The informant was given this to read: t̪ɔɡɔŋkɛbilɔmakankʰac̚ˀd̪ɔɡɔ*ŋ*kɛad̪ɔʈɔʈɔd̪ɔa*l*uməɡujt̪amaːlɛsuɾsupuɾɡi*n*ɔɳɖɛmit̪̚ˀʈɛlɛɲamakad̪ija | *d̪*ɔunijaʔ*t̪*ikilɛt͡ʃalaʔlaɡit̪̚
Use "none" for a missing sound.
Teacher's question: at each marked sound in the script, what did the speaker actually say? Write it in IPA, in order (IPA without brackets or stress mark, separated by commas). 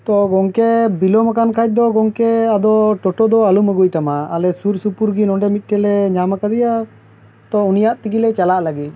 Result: ŋ, l, n, t̪, t̪